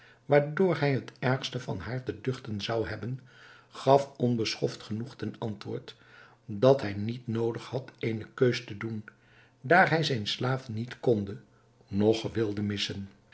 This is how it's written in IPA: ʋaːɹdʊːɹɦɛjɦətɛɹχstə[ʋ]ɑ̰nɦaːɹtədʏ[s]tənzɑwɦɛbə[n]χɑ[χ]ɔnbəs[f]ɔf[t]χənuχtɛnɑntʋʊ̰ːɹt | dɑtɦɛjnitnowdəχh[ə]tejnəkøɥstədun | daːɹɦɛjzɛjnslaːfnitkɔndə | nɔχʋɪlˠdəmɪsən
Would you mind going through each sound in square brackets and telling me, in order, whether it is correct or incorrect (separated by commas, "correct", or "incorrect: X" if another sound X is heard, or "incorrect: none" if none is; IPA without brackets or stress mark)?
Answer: incorrect: v, incorrect: χ, correct, incorrect: f, incorrect: χ, correct, incorrect: ɑ